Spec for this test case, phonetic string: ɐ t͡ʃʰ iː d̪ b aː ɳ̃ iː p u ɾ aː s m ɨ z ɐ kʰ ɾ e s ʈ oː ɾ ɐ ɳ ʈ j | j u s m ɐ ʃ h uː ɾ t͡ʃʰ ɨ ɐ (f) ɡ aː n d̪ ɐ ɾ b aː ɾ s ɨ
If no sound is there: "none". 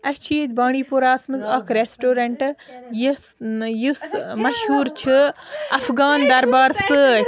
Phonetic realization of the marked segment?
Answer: f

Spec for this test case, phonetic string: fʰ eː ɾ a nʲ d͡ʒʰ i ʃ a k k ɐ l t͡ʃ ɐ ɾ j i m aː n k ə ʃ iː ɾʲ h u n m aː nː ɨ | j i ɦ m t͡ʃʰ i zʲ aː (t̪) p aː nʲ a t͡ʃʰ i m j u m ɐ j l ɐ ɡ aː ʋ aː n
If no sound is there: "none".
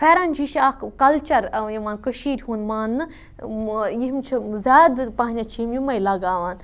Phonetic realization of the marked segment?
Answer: d̪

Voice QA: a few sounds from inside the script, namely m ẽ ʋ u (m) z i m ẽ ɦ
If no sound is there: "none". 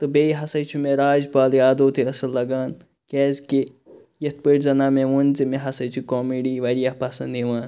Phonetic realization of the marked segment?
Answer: n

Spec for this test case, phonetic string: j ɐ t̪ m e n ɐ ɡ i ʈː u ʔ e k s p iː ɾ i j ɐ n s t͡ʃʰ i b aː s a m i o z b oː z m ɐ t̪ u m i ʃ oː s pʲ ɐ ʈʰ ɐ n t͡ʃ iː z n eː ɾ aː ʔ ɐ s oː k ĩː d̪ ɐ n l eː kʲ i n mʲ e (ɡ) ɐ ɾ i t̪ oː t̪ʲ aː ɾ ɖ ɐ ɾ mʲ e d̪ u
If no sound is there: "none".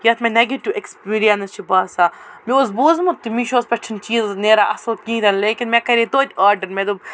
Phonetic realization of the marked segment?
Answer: k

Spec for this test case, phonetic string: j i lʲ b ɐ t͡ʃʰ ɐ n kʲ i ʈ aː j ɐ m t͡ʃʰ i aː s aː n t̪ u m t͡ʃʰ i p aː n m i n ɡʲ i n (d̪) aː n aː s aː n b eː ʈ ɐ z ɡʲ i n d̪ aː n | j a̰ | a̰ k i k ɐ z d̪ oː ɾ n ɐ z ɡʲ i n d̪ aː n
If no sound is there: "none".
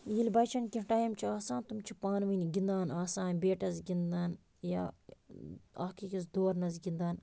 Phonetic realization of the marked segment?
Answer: d̪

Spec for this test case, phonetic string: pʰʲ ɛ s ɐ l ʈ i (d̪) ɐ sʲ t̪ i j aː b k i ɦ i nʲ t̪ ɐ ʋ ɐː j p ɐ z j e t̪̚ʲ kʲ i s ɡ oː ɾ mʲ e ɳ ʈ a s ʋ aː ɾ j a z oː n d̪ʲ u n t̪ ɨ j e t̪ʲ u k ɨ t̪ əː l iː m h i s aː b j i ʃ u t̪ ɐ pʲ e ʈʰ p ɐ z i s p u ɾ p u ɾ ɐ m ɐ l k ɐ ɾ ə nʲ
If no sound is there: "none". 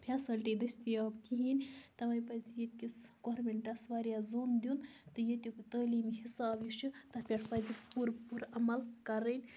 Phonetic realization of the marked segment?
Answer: d̪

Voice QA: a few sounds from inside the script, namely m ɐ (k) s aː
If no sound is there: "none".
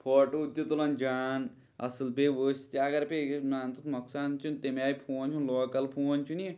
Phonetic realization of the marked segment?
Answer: k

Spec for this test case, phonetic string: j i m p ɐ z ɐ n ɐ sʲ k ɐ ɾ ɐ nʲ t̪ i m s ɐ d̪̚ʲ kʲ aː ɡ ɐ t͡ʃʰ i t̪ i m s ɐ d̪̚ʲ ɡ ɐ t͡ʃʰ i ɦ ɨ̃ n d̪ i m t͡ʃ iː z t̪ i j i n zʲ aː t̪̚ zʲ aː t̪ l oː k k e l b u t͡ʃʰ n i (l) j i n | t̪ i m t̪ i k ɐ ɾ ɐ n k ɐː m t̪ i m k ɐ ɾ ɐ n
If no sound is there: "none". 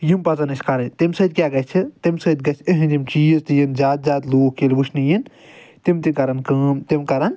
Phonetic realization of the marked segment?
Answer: none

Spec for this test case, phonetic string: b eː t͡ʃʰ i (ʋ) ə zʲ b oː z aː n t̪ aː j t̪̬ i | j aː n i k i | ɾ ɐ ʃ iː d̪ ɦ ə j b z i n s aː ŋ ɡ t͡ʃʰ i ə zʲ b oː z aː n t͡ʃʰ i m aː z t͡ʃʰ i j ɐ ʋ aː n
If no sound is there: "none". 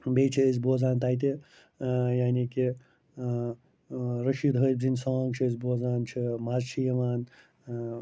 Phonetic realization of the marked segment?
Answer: none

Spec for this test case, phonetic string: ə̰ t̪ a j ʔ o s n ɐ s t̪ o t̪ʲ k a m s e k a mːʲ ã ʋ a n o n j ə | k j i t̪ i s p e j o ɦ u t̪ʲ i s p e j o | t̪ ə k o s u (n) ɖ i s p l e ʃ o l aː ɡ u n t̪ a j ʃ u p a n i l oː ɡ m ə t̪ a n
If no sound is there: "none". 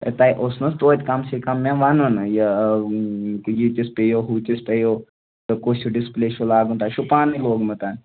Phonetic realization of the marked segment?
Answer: none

